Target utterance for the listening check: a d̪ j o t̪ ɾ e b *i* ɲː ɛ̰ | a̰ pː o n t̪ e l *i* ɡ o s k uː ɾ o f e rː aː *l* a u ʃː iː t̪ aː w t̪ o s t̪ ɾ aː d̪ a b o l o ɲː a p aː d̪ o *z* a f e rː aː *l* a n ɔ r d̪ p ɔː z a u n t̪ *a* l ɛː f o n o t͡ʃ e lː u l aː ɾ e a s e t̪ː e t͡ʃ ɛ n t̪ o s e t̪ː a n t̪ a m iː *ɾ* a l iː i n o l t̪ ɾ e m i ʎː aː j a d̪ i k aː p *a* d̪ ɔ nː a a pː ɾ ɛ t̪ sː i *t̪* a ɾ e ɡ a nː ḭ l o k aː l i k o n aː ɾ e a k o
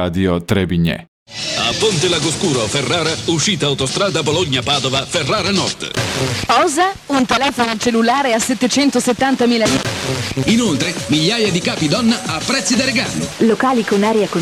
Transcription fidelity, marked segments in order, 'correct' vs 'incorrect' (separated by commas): correct, incorrect, incorrect, incorrect, incorrect, incorrect, incorrect, incorrect, incorrect